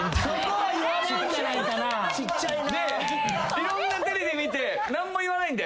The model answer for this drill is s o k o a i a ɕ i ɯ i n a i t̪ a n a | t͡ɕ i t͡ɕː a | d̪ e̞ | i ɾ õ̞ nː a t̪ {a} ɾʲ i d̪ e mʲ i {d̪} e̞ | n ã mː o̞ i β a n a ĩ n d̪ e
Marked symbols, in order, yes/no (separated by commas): no, no